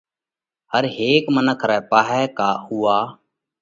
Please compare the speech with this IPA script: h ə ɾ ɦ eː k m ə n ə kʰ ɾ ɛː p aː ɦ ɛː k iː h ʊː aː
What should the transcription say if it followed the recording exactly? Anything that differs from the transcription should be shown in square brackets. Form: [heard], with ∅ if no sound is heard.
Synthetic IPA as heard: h ə ɾ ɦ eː k m ə n ə kʰ ɾ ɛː p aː ɦ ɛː k [aː] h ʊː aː